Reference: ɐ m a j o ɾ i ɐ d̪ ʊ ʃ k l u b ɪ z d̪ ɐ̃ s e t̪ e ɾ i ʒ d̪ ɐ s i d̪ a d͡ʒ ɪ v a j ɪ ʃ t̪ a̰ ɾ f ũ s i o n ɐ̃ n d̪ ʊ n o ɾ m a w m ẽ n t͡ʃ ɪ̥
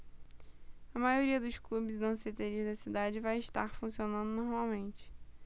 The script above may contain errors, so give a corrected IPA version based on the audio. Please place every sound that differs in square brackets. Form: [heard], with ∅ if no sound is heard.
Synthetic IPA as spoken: ɐ m a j o ɾ i ɐ d̪ ʊ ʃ k l u b ɪ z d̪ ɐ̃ s e t̪ e ɾ i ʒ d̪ ɐ s i d̪ a d͡ʒ ɪ v a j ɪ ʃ t̪ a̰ ɾ f ũ s i o n ɐ̃ n d̪ ʊ n o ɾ m a w m ẽ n t͡ʃ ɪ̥